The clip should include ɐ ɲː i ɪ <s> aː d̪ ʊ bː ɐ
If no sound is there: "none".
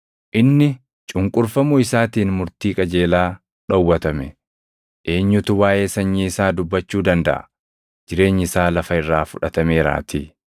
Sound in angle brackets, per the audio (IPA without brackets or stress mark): s